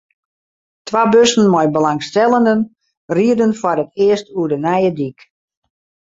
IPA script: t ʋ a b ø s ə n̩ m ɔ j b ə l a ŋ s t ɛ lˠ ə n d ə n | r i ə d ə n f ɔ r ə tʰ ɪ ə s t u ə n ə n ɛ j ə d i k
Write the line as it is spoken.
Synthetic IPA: t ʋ a b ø s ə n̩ m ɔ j b ə l a ŋ s t ɛ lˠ ə n d ə n | r i ə d ə n f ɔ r ə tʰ ɪ ə s t u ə d ə n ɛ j ə d i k